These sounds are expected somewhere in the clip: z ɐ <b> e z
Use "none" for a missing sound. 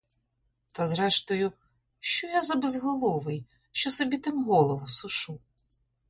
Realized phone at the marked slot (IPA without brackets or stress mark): b